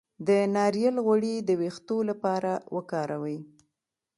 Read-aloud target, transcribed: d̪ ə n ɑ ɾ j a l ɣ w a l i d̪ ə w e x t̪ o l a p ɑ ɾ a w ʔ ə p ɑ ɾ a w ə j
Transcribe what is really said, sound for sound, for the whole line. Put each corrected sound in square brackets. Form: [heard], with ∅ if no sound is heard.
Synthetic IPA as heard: d̪ ə n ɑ ɾ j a l ɣ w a [ɽ] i d̪ ə w e x t̪ o l a p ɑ ɾ a w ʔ ə [k] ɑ ɾ a w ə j